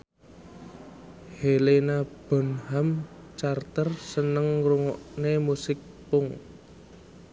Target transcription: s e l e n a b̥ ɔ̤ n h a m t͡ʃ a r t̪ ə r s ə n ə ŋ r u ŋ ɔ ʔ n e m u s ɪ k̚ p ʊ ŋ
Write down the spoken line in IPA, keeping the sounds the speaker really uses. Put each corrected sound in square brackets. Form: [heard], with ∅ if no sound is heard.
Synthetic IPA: [h] e l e n a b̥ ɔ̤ n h a m t͡ʃ a r t̪ ə r s ə n ə ŋ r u ŋ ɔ ʔ n e m u s ɪ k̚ p ʊ ŋ

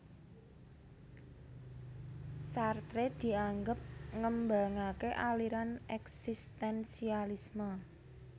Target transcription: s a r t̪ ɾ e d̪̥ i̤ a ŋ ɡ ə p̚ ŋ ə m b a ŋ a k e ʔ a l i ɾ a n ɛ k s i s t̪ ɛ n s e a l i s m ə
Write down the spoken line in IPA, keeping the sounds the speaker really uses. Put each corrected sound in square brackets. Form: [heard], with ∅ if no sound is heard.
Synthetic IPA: s a r t̪ ɾ e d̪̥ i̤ a ŋ ɡ ə p̚ ŋ ə m b a ŋ a k e ʔ a l i ɾ a n ɛ k s i s t̪ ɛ n s [i] a l i s m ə

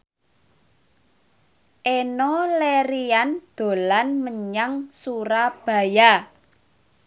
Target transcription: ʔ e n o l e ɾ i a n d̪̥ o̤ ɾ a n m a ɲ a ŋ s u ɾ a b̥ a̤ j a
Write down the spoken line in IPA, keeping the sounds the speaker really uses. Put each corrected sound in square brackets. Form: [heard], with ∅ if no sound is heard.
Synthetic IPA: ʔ e n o l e ɾ i a n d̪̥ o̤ [l] a n m [ə] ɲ a ŋ s u ɾ a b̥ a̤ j a

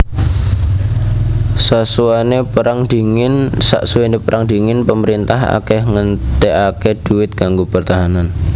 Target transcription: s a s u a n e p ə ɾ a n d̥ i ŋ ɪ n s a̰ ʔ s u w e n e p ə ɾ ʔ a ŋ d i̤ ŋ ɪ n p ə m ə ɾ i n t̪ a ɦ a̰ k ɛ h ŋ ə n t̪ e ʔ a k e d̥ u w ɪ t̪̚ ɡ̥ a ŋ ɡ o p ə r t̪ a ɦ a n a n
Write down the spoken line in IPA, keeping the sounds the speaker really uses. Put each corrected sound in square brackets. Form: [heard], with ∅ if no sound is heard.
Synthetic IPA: s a s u a n e p ə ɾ a [ŋ] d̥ i ŋ ɪ n s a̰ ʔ s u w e n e p ə ɾ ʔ a ŋ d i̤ ŋ ɪ n p ə m ə ɾ i n t̪ a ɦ a̰ k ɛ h ŋ ə n t̪ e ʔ a k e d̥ u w ɪ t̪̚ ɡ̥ a ŋ ɡ o p ə r t̪ a ɦ a n a n

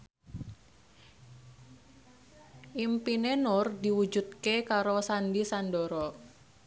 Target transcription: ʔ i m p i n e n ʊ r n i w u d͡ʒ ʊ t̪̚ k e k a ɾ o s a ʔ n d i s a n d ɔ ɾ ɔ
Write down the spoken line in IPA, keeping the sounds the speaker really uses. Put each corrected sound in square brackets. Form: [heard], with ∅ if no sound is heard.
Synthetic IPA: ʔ i m p i n e n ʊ r [d] i w u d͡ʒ [u] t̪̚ k e k a ɾ o s a [∅] n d i s a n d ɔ ɾ ɔ

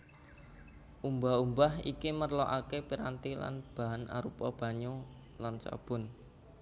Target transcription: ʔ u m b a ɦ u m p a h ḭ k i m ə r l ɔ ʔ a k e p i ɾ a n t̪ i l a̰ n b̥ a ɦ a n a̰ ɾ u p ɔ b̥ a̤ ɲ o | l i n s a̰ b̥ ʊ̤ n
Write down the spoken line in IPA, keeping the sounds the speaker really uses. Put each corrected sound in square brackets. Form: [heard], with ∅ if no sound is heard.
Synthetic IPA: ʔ u m b a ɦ u m [b] a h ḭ k i m ə r l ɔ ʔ a k e p i ɾ a n t̪ i l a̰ n b̥ a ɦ a n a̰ ɾ u p ɔ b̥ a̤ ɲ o | l [a] n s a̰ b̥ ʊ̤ n

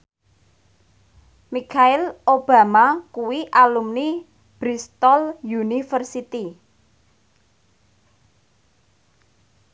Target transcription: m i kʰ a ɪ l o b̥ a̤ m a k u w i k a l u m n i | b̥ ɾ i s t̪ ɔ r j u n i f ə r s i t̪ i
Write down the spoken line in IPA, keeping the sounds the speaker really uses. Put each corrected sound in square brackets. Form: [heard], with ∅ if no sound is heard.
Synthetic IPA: m i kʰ a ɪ l o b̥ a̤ m a k u w i [ʔ] a l u m n i | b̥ ɾ i s t̪ ɔ [l] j u n i f ə r s i t̪ i

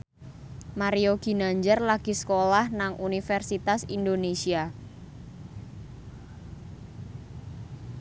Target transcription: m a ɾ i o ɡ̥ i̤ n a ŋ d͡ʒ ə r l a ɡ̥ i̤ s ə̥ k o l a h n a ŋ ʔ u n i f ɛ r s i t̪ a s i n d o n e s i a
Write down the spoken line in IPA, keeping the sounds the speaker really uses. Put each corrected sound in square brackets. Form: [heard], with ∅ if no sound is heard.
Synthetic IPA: m a ɾ i o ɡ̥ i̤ n a [ɲ] d͡ʒ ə r l a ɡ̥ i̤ s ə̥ k o l a h n a ŋ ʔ u n i f ɛ r s i t̪ a s i n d o n e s i a

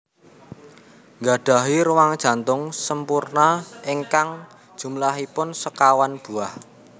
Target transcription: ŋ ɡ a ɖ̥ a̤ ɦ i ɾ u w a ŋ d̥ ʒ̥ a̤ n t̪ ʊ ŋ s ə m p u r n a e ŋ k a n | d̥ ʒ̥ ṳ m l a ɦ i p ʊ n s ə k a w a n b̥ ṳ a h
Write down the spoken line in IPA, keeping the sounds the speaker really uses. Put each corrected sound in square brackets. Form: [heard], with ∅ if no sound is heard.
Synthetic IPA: ŋ ɡ a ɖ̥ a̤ ɦ i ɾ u w a ŋ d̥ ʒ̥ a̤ n t̪ ʊ ŋ s ə m p u r n a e ŋ k a [ŋ] | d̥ ʒ̥ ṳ m l a ɦ i p ʊ n s ə k a w a n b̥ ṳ a h

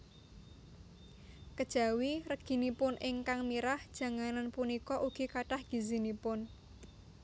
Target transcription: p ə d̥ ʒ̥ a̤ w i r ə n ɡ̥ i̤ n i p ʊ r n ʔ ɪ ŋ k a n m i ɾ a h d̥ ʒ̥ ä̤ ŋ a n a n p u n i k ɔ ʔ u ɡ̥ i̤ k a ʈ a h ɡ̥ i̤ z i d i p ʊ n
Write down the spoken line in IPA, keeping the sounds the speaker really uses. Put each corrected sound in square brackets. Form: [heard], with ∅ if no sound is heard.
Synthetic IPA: [k] ə d̥ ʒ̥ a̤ w i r ə [∅] ɡ̥ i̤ n i p ʊ [∅] n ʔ ɪ ŋ k a [ŋ] m i ɾ a h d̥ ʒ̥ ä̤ ŋ a n a n p u n i k ɔ ʔ u ɡ̥ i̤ k a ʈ a h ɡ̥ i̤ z i [n] i p ʊ n

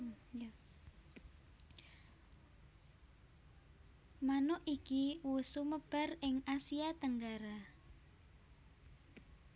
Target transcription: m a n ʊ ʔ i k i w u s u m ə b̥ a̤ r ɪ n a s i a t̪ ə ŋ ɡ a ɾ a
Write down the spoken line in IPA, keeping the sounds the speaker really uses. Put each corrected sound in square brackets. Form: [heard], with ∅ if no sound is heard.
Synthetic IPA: m a n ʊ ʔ i k i w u s u m ə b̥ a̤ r ɪ [ŋ] a s i a t̪ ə ŋ ɡ a ɾ a

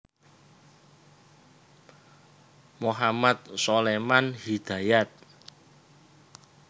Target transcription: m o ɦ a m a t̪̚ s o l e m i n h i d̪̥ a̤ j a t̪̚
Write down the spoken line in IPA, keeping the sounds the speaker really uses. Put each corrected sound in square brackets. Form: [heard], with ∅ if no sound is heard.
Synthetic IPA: m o ɦ a m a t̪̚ s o l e m [a] n h i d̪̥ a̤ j a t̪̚

